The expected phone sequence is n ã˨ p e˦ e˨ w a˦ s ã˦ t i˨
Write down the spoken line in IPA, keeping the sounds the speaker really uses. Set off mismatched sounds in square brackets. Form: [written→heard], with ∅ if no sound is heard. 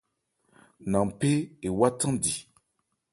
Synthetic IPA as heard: n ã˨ p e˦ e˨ w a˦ [s→t] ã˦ [t→d] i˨